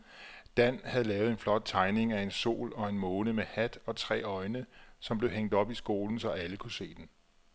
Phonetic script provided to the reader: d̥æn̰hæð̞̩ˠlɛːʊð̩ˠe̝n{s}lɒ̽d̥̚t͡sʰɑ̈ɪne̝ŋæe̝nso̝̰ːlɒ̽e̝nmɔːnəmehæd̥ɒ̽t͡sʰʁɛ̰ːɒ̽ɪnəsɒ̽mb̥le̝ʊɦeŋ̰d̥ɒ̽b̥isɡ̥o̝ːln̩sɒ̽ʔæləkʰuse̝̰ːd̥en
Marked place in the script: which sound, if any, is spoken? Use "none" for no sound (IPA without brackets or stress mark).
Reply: f